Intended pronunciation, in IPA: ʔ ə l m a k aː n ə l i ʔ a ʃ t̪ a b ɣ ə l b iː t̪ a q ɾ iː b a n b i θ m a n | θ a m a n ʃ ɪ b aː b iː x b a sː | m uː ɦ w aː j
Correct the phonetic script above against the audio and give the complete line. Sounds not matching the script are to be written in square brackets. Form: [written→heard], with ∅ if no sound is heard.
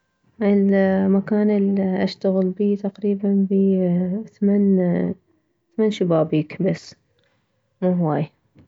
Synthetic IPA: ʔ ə l m a k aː n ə l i ʔ a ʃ t̪ a [b→∅] ɣ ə l b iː t̪ a q ɾ iː b a n b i θ m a n | θ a m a n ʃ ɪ b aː b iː [x→k] b a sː | m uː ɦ w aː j